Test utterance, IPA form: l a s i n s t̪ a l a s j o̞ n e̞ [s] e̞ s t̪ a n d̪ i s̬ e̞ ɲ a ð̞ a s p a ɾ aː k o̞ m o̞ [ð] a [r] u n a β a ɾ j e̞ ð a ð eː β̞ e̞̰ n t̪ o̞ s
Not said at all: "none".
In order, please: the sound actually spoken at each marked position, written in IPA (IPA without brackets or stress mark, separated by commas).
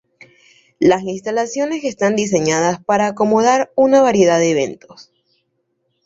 s, ð, ɾ